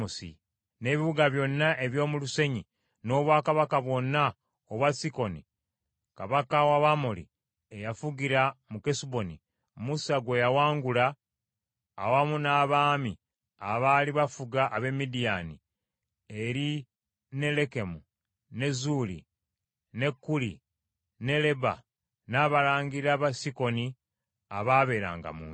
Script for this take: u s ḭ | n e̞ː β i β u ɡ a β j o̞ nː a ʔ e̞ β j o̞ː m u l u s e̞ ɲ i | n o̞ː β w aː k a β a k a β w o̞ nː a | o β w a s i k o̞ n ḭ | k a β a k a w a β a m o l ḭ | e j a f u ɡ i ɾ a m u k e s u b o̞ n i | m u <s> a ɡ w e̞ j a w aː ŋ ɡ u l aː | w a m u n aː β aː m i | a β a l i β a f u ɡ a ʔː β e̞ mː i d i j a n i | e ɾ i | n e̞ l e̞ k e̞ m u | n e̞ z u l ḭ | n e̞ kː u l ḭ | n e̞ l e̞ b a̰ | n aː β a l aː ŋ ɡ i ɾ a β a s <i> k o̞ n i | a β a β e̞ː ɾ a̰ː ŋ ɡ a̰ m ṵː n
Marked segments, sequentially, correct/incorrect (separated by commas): correct, correct